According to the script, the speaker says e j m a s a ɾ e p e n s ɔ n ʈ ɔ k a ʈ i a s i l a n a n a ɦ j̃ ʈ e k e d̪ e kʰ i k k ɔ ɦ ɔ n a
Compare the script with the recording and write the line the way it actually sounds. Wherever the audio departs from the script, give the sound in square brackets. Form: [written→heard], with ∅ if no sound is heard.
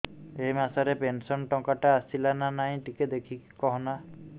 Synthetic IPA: e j m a s a ɾ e p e n s ɔ n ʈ ɔ k a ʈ [i→a] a s i l a n a n a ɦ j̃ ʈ [e→i] k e d̪ e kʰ i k k ɔ ɦ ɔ n a